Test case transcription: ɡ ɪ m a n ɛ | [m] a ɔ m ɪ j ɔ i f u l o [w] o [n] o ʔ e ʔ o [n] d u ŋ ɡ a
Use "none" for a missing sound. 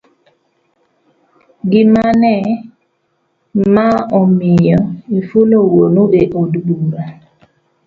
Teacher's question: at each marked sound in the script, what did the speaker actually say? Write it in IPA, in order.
m, w, n, d

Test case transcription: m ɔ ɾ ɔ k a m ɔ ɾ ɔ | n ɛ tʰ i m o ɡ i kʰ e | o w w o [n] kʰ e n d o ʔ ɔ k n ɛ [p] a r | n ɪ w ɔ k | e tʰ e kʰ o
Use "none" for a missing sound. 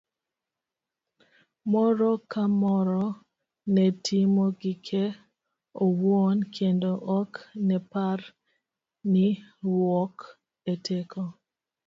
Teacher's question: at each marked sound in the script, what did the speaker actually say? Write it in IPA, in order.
n, p

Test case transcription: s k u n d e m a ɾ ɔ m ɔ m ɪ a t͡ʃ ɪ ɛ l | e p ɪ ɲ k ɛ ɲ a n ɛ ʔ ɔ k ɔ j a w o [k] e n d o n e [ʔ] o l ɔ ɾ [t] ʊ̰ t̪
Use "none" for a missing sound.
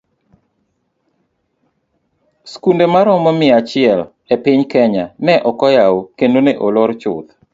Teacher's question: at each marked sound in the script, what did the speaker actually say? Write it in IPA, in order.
k, ʔ, t͡ʃ

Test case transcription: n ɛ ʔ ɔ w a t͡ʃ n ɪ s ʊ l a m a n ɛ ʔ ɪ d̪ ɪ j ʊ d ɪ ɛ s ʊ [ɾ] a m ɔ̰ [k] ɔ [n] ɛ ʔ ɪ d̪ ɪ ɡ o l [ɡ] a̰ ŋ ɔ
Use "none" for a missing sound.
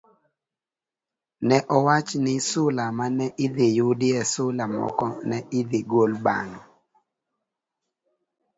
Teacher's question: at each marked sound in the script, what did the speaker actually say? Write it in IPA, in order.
l, k, n, b

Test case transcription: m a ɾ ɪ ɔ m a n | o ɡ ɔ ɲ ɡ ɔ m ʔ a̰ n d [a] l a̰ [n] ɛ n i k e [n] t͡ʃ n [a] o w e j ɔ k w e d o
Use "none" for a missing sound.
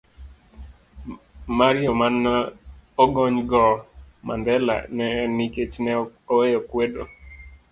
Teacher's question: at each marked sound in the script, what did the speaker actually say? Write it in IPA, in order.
ɛ, n, none, ɛ

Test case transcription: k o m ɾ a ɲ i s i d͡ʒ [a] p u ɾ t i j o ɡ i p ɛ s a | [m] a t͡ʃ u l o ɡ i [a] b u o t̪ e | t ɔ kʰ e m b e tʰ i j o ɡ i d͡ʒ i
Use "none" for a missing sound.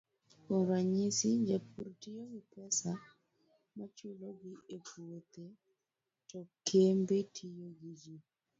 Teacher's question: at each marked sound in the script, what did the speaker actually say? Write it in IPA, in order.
a, m, e

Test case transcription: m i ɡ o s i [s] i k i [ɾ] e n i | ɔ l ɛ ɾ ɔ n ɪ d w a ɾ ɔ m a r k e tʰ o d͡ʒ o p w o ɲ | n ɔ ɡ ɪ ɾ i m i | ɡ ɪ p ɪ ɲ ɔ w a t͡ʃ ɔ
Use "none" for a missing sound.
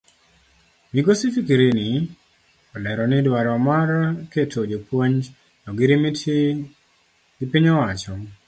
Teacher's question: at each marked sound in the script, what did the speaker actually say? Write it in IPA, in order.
f, ɾ

